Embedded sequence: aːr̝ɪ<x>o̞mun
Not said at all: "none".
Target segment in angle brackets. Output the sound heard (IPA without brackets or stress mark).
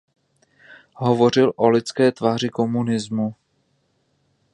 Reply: k